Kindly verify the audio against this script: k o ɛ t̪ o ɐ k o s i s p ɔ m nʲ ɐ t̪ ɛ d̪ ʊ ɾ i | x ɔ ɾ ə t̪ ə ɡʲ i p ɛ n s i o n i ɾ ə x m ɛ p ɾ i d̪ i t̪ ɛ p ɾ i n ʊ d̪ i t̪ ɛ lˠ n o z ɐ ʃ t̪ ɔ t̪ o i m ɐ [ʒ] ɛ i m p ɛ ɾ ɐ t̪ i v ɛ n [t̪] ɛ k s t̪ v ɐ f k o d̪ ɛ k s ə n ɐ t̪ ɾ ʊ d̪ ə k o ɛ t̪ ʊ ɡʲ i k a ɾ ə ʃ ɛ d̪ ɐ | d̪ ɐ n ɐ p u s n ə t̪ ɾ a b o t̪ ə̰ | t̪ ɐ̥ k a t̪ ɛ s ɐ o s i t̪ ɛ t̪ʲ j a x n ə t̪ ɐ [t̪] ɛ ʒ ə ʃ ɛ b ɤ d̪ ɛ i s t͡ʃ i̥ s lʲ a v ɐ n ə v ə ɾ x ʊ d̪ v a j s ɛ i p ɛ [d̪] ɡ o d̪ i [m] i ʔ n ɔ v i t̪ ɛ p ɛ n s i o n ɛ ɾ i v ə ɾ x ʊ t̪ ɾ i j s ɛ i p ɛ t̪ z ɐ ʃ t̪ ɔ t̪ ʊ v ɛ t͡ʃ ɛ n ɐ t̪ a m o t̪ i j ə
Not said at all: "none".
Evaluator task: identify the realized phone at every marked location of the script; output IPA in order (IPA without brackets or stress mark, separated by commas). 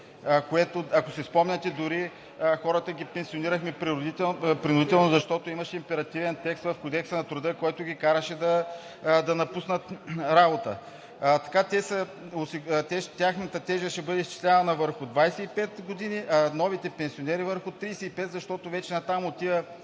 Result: ʃ, t̪, t̪, t̪, n